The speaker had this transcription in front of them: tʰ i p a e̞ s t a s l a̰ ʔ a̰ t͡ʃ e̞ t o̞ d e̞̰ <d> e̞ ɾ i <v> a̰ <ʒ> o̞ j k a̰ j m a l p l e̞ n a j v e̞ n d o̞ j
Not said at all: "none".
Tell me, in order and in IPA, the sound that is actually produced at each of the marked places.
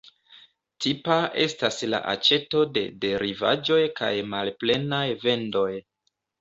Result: d, v, d͡ʒ

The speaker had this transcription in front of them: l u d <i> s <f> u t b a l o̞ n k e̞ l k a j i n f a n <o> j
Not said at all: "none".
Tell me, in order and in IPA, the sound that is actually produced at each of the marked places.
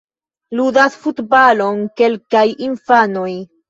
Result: a, f, o

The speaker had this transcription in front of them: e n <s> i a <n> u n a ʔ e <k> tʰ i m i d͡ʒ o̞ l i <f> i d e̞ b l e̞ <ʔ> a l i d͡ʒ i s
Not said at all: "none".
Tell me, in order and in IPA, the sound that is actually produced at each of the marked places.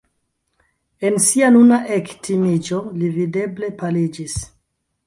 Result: s, n, k, v, p

